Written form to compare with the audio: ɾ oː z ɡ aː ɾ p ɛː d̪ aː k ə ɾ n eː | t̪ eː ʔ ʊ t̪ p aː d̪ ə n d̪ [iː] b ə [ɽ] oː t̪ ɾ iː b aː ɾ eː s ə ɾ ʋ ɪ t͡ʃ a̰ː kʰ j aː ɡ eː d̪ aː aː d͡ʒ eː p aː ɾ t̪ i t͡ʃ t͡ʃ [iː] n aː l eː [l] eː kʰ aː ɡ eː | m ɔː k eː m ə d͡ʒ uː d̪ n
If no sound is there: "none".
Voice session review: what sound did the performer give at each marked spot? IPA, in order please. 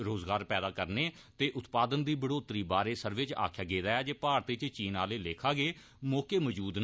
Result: iː, ɽ, iː, l

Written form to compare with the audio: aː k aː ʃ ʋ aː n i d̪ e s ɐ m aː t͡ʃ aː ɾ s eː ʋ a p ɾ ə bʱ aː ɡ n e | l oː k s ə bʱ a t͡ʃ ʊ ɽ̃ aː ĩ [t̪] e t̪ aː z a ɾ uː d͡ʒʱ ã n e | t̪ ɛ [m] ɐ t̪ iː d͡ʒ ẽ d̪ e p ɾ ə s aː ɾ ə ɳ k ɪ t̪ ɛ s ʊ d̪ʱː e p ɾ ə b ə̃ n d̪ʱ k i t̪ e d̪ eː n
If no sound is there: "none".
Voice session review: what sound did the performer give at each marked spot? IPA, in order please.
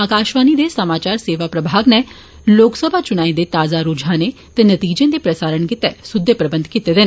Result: d̪, n

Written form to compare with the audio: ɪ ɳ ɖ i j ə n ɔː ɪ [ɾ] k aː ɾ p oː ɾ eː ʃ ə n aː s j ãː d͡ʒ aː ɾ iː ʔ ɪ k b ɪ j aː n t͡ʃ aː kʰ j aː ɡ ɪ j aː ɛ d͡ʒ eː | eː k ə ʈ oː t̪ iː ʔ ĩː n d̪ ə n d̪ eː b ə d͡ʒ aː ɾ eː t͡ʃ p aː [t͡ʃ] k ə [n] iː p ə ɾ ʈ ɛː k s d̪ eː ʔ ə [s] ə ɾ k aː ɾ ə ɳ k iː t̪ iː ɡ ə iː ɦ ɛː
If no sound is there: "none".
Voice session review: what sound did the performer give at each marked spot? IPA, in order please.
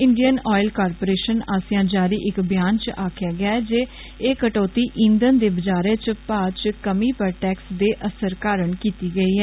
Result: l, t͡ʃ, m, s

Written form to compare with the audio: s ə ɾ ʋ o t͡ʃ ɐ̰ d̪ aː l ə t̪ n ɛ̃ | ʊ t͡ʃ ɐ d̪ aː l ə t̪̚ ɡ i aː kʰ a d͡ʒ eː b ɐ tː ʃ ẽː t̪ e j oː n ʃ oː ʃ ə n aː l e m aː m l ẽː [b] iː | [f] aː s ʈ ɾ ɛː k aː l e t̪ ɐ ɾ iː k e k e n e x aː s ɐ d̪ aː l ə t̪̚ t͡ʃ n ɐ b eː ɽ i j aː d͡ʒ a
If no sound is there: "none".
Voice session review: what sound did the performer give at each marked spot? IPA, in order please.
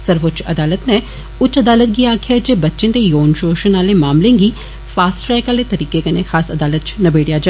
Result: ɡ, f

